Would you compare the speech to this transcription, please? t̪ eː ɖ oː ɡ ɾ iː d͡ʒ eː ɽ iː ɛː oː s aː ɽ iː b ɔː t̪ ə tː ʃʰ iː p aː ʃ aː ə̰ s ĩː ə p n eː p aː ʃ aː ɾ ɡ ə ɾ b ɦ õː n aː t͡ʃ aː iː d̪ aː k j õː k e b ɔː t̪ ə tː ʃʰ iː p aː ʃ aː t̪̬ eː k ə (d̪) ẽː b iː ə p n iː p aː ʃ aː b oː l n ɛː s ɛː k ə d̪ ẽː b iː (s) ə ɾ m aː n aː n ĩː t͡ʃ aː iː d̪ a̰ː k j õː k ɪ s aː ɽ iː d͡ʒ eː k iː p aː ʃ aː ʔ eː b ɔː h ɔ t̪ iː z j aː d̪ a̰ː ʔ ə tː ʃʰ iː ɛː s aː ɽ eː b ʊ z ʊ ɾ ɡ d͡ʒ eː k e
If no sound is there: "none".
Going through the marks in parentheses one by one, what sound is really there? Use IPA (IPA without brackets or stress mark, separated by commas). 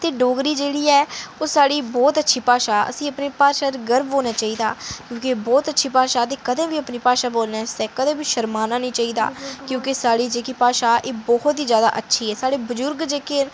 d̪, ʃ